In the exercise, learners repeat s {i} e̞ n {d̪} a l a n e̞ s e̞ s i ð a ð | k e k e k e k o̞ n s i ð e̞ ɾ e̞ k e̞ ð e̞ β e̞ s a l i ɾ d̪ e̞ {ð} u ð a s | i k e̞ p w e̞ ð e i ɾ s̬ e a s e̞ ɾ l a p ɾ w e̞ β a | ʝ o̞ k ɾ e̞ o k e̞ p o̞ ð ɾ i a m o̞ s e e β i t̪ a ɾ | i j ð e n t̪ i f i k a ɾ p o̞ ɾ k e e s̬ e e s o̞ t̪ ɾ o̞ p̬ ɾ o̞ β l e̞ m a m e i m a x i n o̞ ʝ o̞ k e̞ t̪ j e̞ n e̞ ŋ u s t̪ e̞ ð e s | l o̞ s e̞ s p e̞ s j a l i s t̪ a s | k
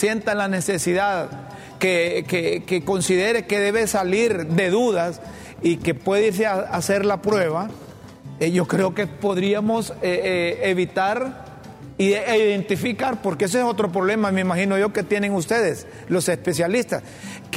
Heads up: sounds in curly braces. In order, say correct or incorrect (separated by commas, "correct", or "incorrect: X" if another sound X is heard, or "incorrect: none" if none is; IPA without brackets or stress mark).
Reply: incorrect: j, incorrect: t̪, correct